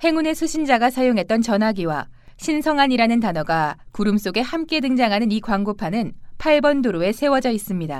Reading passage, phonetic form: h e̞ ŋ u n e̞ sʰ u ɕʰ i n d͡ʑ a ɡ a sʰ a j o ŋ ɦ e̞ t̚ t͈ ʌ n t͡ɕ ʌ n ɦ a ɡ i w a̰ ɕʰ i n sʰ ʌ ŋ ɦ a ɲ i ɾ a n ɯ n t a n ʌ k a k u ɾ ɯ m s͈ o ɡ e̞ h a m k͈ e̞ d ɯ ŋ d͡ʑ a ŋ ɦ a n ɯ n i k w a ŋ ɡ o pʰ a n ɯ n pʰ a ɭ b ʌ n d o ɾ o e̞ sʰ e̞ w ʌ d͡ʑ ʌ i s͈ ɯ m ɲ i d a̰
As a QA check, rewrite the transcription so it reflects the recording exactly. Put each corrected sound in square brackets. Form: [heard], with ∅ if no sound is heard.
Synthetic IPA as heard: h e̞ ŋ u n e̞ sʰ u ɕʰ i n d͡ʑ a ɡ a sʰ a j o ŋ ɦ e̞ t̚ t͈ ʌ n t͡ɕ ʌ n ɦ a ɡ i w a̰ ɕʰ i n sʰ ʌ ŋ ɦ a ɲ i ɾ a n ɯ n t a n ʌ [ɡ] a k u ɾ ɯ m s͈ o ɡ e̞ h a m k͈ e̞ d ɯ ŋ d͡ʑ a ŋ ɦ a n ɯ n i k w a ŋ ɡ o pʰ a n ɯ n pʰ a ɭ b ʌ n d o ɾ o e̞ sʰ e̞ w ʌ d͡ʑ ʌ i s͈ ɯ m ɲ i d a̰